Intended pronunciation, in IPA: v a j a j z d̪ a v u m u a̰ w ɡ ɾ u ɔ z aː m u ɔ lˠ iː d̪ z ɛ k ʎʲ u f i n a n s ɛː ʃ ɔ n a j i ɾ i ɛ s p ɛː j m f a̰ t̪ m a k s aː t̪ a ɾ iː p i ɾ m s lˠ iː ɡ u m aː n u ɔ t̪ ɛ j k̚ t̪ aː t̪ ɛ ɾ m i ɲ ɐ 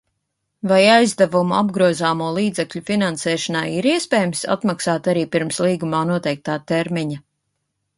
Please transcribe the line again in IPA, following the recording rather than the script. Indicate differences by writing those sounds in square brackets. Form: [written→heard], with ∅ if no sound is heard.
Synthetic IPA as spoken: v a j a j z d̪ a v u m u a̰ [w→b] ɡ ɾ u ɔ z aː m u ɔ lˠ iː d̪ z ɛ k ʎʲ u f i n a n s ɛː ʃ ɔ n a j i ɾ i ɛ s p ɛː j m [f→s] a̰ t̪ m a k s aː t̪ a ɾ iː p i ɾ m s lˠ iː ɡ u m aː n u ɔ t̪ ɛ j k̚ t̪ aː t̪ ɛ ɾ m i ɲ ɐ